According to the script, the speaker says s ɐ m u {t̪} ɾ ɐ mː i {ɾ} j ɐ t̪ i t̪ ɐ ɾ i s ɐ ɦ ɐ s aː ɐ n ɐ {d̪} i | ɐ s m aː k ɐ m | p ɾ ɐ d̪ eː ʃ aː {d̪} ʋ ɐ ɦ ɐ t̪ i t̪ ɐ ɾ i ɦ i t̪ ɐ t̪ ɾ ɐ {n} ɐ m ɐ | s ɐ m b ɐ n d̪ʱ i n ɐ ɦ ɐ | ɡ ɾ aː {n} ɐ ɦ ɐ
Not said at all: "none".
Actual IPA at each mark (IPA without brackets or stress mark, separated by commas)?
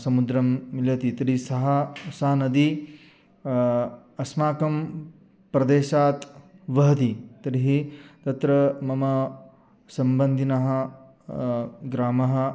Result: d̪, l, d̪, t̪, m, m